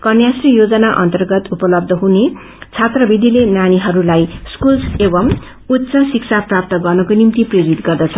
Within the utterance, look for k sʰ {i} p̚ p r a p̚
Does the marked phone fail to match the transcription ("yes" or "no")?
yes